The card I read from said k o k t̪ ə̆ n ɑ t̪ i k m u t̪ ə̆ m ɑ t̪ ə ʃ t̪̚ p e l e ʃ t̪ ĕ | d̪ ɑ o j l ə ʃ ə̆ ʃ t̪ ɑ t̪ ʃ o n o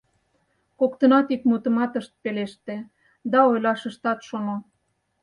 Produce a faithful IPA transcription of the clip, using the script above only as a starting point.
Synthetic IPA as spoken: k o k t̪ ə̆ n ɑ t̪ i k m u t̪ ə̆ m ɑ t̪ ə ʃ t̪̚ p e l e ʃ t̪ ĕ | d̪ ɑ o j l ɑ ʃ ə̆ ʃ t̪ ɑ t̪ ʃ o n o